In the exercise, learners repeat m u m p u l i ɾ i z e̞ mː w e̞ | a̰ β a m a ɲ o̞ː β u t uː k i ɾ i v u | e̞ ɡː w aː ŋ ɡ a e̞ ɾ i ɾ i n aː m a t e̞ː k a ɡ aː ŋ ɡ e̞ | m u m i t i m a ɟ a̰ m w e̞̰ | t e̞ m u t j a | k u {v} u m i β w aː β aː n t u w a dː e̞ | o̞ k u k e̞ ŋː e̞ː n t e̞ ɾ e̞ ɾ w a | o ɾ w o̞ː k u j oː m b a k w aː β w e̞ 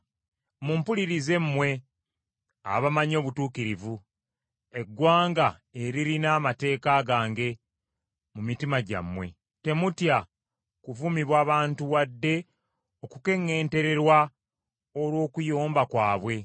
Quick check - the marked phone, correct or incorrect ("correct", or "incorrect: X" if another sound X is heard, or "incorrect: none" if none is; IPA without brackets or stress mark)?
correct